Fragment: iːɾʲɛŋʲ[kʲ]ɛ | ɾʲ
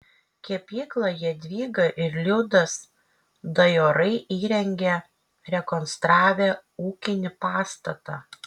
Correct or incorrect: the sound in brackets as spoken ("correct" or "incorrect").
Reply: incorrect